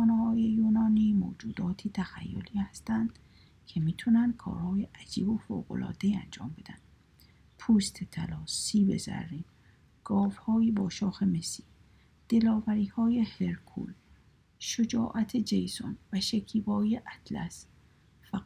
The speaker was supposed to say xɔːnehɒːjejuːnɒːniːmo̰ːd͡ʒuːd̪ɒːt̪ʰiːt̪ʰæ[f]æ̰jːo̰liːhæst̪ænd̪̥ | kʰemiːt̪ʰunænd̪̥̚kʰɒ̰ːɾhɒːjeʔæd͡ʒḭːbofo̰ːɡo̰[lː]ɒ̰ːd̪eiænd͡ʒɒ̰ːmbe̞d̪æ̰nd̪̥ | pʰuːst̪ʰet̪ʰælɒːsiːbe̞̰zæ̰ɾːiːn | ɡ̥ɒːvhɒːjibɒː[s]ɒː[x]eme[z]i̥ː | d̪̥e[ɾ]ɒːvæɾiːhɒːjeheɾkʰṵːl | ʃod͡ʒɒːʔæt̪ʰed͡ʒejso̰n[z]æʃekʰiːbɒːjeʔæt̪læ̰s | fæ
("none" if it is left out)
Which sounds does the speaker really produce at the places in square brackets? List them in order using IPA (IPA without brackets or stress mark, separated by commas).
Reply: x, l, ʃ, x, s, l, v